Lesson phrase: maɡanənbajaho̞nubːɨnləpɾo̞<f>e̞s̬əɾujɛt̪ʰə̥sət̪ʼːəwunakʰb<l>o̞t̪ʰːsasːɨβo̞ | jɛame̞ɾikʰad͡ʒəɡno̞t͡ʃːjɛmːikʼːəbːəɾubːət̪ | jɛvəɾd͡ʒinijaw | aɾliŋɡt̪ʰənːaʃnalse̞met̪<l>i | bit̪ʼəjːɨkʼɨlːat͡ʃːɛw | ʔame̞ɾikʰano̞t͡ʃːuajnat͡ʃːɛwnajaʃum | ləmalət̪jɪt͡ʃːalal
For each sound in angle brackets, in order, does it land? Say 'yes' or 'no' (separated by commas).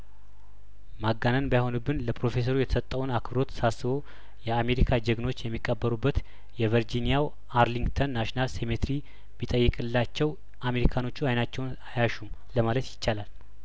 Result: yes, no, no